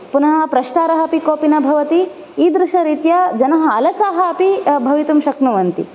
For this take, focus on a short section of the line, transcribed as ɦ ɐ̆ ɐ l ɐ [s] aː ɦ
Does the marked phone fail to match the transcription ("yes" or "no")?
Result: no